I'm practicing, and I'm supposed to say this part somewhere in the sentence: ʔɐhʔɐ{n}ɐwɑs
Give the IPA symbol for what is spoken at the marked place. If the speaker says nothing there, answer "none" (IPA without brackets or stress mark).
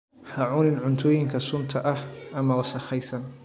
m